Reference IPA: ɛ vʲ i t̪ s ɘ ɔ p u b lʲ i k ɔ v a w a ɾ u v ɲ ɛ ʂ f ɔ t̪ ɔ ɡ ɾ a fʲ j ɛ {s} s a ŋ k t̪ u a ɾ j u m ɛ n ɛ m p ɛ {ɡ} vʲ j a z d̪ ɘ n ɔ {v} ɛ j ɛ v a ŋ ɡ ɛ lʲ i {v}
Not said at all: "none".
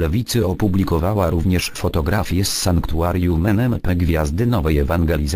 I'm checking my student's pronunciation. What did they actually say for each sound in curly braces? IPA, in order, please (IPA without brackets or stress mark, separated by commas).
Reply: s, ɡ, v, z